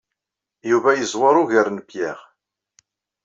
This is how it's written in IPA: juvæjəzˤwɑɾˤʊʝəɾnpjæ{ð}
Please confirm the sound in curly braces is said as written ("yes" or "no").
no